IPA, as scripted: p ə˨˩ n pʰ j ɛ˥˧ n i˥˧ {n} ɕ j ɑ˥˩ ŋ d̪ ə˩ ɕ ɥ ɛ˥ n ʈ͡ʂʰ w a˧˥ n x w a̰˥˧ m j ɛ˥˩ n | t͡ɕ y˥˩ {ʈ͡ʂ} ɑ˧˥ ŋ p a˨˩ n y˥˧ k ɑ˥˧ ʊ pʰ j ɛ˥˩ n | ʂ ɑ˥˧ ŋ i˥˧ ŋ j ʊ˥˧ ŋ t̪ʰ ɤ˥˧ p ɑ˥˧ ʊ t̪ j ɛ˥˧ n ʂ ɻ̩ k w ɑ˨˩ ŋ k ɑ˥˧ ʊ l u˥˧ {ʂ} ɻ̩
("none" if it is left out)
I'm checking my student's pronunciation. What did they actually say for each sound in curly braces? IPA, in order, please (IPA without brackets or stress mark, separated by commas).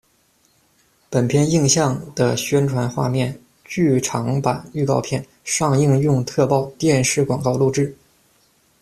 ŋ, ʈ͡ʂʰ, ʈ͡ʂ